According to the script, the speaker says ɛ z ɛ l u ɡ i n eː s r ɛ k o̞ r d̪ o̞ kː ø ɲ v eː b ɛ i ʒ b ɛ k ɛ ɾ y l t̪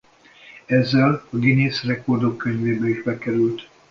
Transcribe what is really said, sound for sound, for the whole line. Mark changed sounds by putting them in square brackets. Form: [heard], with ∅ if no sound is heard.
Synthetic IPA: ɛ [zː] ɛ l [ɒ] ɡ i n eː s r ɛ k o̞ r d̪ o̞ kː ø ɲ v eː b ɛ i ʒ b ɛ k ɛ ɾ y l t̪